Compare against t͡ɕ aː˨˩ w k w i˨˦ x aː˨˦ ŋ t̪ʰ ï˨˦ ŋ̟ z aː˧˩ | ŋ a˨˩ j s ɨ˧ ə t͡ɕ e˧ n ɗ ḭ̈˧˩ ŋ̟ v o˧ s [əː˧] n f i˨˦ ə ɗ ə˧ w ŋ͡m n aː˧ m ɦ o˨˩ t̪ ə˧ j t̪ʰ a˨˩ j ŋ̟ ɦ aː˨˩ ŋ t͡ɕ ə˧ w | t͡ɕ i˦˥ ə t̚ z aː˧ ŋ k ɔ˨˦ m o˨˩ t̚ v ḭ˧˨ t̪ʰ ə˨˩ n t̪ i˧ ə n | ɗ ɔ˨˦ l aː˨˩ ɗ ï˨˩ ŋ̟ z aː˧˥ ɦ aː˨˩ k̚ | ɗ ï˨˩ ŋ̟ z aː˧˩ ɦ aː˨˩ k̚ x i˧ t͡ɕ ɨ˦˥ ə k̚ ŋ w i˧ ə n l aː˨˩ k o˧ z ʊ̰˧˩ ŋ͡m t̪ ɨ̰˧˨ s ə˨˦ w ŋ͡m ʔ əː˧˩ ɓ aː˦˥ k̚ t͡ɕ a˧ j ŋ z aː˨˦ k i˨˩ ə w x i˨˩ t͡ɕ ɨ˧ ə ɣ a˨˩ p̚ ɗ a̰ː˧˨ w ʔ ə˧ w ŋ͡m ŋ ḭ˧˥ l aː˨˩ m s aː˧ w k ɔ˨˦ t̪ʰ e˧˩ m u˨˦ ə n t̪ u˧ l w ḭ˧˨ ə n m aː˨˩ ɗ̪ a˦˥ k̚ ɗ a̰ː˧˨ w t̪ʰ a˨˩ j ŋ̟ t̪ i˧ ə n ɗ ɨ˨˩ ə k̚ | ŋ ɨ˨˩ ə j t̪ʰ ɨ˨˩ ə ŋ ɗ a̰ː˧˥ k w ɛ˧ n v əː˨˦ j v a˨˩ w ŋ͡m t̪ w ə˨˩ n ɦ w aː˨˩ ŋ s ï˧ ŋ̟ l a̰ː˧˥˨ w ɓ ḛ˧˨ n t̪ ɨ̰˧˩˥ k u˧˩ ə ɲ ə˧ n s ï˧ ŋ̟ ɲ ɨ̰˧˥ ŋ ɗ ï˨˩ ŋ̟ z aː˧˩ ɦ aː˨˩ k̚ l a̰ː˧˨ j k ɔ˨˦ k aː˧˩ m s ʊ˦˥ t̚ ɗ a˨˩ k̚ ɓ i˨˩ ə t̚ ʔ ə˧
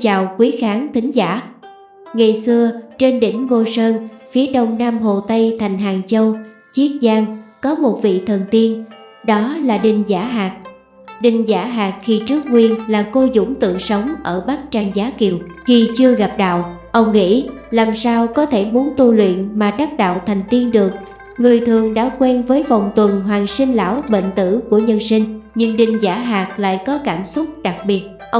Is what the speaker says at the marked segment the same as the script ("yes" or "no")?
yes